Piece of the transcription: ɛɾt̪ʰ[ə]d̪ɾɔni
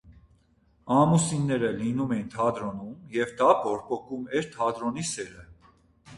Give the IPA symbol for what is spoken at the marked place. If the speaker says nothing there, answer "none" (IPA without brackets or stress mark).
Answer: ɑ